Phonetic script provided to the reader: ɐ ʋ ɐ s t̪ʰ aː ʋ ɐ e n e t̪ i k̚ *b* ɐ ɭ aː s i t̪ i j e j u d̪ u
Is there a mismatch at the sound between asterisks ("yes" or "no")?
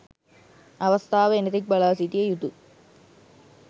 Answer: no